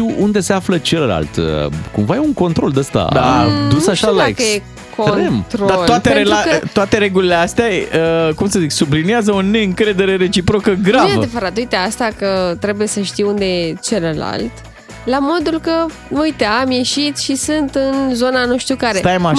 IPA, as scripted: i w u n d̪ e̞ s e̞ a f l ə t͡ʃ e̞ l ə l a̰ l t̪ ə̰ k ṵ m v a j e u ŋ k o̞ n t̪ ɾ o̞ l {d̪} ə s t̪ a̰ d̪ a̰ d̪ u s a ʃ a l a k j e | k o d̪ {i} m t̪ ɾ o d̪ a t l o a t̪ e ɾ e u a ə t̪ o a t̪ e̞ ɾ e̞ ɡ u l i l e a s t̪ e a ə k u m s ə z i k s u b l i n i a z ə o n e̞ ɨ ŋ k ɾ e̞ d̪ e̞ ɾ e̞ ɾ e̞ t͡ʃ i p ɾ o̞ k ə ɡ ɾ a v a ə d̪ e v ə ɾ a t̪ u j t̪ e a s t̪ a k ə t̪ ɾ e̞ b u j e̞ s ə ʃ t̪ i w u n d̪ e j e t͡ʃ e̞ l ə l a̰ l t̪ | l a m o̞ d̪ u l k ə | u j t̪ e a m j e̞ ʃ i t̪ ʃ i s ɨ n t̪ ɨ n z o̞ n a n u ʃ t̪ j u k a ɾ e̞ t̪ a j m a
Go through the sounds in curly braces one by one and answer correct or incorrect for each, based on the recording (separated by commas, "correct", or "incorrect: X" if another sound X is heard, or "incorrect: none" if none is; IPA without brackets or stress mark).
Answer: correct, incorrect: e